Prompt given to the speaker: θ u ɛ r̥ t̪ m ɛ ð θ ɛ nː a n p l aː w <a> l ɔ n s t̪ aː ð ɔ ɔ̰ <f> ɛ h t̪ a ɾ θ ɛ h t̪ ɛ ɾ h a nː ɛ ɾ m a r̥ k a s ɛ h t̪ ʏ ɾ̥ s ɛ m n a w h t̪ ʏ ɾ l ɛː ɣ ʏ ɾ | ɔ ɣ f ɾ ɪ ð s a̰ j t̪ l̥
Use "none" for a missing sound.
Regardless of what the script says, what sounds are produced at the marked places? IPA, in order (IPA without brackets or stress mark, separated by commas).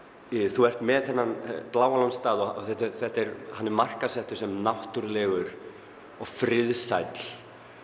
a, θ